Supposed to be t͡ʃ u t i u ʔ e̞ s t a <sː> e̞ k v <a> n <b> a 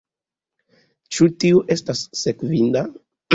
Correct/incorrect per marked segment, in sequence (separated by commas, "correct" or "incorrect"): correct, incorrect, incorrect